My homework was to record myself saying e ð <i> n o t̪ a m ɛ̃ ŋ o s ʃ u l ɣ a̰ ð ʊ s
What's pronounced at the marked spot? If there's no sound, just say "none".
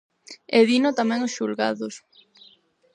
i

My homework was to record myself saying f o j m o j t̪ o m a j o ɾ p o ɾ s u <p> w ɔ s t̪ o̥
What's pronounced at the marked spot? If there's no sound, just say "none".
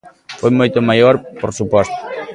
p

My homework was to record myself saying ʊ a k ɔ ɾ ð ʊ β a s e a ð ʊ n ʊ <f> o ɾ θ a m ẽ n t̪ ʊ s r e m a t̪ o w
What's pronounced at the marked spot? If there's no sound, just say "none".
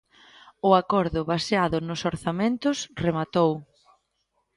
s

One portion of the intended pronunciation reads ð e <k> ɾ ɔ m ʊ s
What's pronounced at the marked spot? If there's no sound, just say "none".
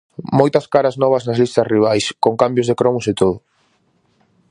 k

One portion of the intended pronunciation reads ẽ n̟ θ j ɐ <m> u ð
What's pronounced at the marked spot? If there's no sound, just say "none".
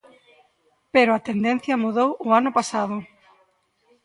m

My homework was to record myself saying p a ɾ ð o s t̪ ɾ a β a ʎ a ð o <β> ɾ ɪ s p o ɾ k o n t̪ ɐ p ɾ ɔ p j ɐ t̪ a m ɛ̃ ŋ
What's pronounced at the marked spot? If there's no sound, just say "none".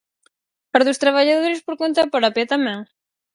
none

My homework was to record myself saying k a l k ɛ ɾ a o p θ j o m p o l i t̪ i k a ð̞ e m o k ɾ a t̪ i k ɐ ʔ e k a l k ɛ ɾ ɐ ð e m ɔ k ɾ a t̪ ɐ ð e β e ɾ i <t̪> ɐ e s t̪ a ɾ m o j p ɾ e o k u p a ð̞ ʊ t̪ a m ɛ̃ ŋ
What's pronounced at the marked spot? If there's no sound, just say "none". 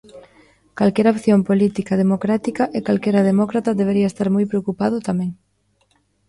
none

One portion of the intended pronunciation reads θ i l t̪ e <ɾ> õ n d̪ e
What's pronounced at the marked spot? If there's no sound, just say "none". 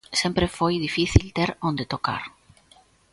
ɾ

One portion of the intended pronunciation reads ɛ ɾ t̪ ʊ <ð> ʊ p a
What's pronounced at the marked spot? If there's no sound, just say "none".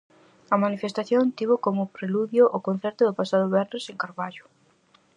ð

